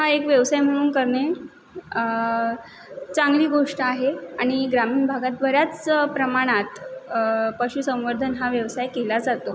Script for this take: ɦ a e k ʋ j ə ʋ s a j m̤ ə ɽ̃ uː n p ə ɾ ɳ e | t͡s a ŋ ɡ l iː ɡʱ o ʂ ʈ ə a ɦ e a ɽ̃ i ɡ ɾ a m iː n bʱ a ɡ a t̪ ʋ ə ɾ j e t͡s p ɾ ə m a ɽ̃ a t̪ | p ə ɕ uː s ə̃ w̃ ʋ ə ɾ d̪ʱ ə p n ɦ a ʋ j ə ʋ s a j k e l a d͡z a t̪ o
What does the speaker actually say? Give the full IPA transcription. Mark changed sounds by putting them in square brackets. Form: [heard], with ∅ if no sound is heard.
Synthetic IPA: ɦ a e k ʋ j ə ʋ s a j m̤ ə ɽ̃ uː n [k] ə ɾ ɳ e | t͡s a ŋ ɡ l iː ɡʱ o ʂ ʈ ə a ɦ e a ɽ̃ i ɡ ɾ a m iː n bʱ a ɡ a t̪ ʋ ə ɾ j [a] t͡s p ɾ ə m a ɽ̃ a t̪ | p ə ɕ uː s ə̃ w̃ ʋ ə ɾ d̪ʱ ə [∅] n ɦ a ʋ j ə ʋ s a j k e l a d͡z a t̪ o